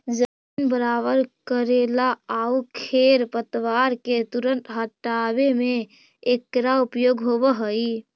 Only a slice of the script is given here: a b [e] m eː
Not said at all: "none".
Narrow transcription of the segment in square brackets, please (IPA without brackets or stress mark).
e